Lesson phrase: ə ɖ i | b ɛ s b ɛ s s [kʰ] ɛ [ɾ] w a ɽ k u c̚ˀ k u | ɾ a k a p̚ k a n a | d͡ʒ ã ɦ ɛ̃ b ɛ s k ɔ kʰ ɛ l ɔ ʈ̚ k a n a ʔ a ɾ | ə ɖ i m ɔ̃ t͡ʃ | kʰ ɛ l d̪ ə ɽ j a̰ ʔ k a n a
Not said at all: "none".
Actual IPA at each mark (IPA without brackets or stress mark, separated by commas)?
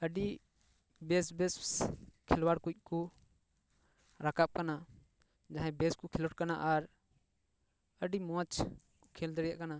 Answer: kʰ, l